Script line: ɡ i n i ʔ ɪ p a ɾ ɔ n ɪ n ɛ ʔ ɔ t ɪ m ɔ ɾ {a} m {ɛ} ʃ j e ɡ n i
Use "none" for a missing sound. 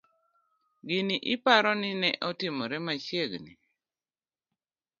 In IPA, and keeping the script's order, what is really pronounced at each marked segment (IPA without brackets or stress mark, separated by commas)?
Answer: ɛ, a